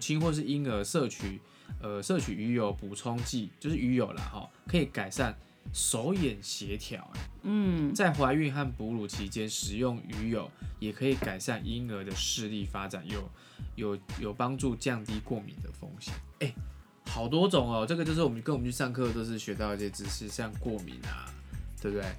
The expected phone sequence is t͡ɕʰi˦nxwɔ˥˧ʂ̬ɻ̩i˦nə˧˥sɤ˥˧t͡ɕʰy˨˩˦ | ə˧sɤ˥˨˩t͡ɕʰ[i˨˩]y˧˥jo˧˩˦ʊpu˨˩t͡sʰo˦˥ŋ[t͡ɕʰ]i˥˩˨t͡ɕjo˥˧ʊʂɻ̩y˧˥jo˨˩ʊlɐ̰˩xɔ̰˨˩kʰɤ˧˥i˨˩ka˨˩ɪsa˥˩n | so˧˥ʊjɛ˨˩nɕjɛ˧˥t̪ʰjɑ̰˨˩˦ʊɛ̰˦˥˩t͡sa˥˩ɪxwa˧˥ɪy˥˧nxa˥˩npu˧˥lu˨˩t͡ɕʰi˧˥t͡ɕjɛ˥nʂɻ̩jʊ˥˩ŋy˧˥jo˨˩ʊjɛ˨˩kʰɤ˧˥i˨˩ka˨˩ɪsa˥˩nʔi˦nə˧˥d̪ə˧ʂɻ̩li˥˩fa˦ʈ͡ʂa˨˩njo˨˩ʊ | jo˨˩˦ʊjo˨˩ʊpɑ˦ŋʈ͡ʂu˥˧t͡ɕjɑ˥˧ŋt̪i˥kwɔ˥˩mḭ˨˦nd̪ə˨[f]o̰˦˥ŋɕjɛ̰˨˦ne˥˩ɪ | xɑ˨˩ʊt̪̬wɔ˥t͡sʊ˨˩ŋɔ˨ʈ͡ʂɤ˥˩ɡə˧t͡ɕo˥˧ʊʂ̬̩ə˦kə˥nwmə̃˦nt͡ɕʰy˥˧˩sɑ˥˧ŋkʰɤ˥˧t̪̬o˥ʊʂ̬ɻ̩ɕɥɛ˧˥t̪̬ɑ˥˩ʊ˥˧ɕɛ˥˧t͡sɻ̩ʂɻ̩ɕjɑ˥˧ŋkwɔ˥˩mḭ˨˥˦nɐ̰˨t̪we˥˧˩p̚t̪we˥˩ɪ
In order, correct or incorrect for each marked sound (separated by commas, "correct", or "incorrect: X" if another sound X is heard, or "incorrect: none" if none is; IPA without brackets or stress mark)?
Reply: incorrect: y˨˩, incorrect: t͡ɕ, correct